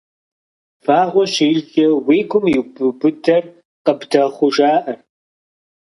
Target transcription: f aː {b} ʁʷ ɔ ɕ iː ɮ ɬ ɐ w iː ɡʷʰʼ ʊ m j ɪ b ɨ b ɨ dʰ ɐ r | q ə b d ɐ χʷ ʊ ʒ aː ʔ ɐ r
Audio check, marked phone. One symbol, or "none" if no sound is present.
none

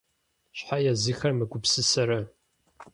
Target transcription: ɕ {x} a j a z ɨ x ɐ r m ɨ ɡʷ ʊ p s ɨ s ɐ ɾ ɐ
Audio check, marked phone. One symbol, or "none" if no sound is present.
ħ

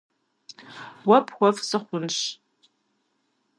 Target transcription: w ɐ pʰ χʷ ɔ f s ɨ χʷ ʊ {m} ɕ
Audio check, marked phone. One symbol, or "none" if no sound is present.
n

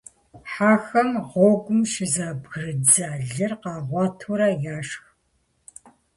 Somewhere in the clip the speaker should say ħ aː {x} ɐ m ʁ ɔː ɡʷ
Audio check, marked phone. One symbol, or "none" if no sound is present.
x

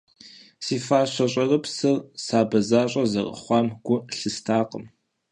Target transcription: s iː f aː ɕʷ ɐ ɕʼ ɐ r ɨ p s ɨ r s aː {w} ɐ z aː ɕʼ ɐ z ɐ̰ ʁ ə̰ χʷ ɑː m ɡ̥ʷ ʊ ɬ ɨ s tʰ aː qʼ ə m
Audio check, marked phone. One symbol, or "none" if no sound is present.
b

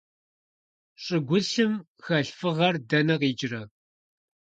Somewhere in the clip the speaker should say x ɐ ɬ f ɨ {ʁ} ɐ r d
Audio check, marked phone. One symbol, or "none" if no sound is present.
ʁ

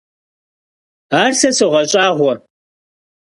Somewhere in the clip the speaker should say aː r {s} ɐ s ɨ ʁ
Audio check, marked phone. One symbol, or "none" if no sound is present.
s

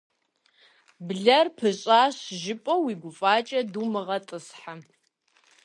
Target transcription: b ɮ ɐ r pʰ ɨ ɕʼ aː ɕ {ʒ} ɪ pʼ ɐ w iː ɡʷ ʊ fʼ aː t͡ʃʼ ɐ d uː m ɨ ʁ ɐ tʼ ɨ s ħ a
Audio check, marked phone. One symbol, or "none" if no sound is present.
ʒ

